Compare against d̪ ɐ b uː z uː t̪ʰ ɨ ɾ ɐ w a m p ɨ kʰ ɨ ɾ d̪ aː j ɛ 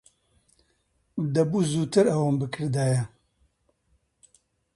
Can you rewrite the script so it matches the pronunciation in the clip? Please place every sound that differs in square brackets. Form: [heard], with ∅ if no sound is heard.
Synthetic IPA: d̪ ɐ b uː z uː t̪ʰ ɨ ɾ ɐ w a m [b] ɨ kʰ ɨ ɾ d̪ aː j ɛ